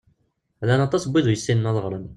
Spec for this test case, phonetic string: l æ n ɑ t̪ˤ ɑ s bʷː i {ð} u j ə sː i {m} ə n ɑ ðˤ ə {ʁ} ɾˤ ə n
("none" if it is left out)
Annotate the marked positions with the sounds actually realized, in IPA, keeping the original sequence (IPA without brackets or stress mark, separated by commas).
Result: ð, n, ʁ